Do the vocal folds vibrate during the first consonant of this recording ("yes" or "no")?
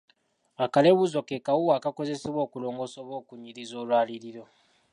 no